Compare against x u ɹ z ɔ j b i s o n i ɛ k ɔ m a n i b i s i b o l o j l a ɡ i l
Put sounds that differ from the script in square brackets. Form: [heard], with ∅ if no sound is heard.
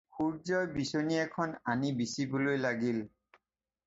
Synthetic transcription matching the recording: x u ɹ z ɔ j b i s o n i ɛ [kʰ] ɔ [n] a n i b i s i b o l o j l a ɡ i l